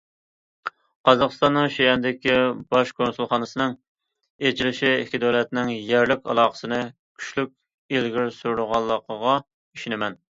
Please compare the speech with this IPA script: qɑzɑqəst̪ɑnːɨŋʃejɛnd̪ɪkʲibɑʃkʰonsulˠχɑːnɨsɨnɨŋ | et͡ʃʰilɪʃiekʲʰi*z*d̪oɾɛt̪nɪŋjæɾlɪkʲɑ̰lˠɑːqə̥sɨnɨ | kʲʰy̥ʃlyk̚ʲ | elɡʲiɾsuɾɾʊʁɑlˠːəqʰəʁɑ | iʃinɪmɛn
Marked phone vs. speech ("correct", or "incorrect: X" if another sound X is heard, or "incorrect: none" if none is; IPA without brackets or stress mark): incorrect: none